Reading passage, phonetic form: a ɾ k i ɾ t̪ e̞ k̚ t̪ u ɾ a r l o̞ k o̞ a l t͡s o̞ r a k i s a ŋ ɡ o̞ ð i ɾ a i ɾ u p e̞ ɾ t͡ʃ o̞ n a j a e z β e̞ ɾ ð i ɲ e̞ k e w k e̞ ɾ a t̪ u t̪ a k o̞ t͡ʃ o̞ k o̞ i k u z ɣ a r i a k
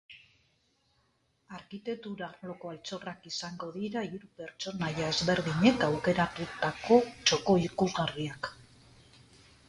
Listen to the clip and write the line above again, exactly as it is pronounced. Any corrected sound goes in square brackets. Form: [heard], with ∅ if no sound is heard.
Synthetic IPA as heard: a ɾ k i [∅] t̪ e̞ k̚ t̪ u ɾ a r l o̞ k o̞ a l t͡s o̞ r a k i s a ŋ ɡ o̞ ð i ɾ a i ɾ u p e̞ ɾ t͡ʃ o̞ n a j a e z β e̞ ɾ ð i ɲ e̞ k [a] w k e̞ ɾ a t̪ u t̪ a k o̞ t͡ʃ o̞ k o̞ i k u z ɣ a r i a k